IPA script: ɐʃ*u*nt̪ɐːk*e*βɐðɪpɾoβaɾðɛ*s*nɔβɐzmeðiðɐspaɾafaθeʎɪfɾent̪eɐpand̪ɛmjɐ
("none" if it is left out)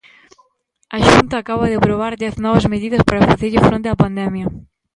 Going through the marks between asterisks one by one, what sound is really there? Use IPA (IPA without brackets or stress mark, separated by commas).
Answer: u, a, θ